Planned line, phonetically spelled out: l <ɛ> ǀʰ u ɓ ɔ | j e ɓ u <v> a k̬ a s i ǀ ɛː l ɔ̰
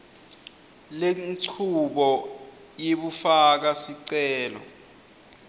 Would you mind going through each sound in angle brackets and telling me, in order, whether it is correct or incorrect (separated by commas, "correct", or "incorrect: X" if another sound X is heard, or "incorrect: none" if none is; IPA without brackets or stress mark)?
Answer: incorrect: e, incorrect: f